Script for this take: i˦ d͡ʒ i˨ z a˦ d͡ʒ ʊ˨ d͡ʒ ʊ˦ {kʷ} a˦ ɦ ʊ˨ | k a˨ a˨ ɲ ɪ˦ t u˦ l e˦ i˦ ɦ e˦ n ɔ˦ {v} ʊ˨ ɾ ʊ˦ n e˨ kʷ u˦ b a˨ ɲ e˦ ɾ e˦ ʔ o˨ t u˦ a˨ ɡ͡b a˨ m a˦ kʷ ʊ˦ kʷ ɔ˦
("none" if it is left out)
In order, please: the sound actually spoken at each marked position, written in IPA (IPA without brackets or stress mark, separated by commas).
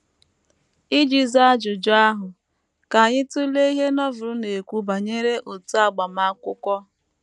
none, v